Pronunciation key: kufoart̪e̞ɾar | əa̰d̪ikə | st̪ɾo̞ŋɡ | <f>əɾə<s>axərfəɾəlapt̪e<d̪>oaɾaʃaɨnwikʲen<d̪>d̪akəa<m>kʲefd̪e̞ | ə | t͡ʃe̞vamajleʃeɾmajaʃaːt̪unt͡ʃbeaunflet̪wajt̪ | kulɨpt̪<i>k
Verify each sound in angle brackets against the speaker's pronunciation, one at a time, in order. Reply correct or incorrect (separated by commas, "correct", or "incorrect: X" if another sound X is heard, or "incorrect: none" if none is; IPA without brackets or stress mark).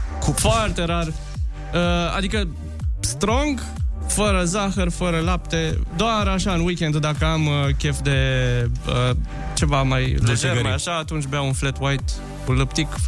correct, incorrect: z, correct, correct, correct, correct